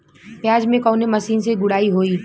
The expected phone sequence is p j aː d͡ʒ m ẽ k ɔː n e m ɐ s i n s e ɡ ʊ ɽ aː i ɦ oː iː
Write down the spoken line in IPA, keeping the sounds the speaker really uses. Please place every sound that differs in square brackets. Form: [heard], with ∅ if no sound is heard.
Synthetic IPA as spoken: p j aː d͡ʒ m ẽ k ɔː n e m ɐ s [iː] n s e ɡ ʊ ɽ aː i ɦ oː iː